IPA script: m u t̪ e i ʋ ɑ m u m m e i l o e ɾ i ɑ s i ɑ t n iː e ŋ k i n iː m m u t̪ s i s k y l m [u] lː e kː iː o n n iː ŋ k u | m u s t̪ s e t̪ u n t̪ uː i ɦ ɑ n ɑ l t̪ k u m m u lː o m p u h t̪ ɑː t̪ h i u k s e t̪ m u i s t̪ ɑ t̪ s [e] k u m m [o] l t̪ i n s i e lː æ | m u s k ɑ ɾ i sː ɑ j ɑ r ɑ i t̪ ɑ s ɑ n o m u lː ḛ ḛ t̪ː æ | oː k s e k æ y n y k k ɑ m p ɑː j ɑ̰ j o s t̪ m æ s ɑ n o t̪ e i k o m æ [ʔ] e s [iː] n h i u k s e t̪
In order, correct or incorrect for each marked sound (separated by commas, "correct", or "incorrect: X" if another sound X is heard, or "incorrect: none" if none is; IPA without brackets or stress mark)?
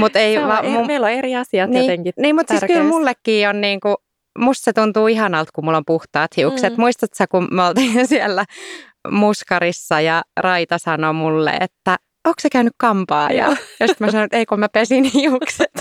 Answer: correct, incorrect: æ, correct, incorrect: p, incorrect: i